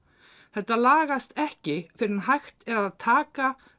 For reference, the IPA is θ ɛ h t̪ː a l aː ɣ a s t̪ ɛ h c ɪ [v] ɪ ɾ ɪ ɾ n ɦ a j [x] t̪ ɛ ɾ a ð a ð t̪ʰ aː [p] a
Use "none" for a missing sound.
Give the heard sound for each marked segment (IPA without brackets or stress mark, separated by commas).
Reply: f, x, k